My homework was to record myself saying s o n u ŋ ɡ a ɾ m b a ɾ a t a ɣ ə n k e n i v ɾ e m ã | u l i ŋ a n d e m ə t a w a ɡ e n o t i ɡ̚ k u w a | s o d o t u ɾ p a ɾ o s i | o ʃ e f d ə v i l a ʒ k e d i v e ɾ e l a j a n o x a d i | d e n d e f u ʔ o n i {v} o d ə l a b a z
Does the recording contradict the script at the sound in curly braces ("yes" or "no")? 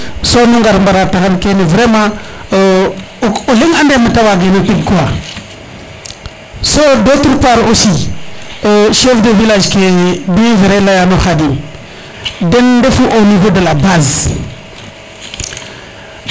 no